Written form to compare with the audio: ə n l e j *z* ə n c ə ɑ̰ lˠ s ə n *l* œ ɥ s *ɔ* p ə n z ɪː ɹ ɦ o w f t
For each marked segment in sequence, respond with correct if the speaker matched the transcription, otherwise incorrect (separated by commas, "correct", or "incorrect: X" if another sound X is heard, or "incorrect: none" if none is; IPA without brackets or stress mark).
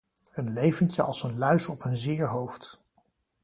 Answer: incorrect: v, correct, correct